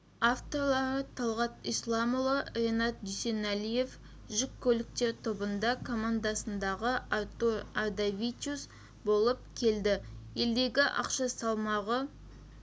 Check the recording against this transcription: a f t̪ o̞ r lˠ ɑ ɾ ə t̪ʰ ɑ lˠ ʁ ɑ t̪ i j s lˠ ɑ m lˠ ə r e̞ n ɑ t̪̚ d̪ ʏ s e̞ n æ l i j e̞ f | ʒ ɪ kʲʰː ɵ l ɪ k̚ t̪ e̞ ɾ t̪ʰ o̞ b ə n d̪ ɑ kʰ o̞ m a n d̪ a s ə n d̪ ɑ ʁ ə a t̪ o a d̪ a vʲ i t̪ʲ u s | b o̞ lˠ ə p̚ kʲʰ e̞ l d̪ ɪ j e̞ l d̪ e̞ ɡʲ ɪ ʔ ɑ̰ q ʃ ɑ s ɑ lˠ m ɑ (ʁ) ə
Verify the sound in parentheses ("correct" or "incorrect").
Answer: correct